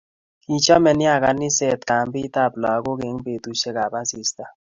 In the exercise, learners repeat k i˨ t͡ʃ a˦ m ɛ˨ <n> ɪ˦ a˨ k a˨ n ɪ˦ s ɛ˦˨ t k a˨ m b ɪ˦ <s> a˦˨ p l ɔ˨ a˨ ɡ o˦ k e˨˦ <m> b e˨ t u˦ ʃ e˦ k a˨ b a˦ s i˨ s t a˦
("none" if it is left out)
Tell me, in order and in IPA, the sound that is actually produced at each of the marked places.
n, t, ŋ

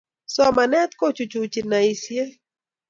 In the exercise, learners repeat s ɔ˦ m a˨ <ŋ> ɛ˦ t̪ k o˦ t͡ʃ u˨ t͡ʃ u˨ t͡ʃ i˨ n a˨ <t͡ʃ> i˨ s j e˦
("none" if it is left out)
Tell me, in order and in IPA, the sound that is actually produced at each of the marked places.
n, none

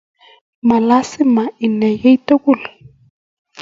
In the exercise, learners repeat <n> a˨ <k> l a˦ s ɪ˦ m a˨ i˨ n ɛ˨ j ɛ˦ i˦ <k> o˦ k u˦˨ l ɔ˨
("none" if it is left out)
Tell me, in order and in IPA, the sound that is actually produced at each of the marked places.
m, none, t

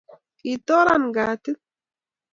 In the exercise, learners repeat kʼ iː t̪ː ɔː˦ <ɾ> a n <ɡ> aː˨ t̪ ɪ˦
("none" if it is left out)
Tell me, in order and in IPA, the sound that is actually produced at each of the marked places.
ɾ, ɡ

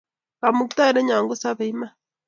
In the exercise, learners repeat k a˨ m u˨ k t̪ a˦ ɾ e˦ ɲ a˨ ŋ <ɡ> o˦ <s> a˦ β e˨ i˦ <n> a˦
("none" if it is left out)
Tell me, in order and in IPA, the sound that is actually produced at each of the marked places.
ɡ, s, m

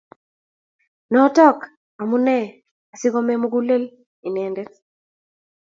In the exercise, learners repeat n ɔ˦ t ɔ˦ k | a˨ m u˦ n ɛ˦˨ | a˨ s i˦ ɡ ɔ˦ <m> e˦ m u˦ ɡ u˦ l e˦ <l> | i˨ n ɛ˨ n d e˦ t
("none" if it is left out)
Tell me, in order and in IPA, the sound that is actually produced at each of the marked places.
m, l

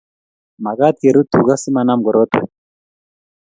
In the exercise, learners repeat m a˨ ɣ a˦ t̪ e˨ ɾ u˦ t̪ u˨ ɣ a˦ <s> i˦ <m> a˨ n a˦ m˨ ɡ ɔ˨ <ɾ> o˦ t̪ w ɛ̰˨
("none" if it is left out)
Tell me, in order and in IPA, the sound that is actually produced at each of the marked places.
s, m, ɾ

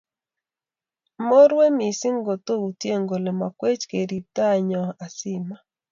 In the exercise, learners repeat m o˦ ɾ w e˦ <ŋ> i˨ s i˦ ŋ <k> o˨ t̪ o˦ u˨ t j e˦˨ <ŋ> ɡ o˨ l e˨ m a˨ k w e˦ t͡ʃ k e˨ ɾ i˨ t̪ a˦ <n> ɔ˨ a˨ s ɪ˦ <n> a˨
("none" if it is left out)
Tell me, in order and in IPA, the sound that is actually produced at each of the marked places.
m, ɡ, ŋ, ɲ, m

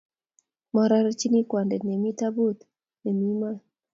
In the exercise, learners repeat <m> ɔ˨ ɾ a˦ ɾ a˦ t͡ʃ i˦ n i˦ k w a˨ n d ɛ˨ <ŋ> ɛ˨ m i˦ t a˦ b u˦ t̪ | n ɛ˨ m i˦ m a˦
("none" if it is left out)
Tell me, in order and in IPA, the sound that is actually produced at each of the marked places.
m, n

